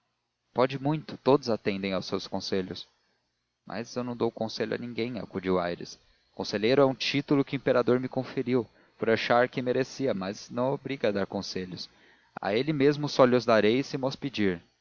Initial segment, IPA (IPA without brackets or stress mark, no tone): p